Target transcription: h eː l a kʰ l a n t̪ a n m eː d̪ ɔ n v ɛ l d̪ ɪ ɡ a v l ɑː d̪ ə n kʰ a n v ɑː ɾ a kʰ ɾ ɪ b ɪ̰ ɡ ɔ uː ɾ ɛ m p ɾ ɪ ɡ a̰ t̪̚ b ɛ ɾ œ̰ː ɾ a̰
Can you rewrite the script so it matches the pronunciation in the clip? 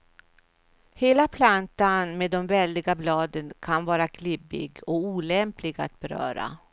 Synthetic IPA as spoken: h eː l a pʰ l a n t̪ a n m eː d̪ ɔ m v ɛ l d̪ ɪ ɡ a b l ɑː d̪ ə n kʰ a n v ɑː ɾ a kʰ l ɪ b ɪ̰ ɡ ɔ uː l ɛ m p l ɪ ɡ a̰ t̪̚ b ɛ ɾ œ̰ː ɾ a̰